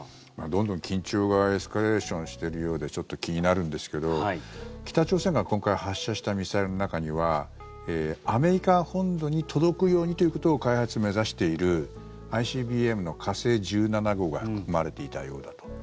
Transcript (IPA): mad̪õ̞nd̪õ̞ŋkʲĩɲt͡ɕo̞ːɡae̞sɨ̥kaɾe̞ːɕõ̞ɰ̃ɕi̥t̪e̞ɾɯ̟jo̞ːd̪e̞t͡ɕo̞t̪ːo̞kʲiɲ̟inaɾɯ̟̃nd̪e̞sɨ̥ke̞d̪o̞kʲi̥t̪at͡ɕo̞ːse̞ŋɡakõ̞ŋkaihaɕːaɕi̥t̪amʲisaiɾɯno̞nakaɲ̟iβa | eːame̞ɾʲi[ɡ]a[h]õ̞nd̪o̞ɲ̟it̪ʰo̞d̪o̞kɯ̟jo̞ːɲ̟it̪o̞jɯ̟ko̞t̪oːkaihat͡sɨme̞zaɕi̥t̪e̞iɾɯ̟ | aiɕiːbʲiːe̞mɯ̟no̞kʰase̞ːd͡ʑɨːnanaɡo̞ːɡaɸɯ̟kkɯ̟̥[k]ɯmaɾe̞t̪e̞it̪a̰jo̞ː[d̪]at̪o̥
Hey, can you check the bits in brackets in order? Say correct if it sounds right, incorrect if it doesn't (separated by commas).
incorrect, correct, correct, correct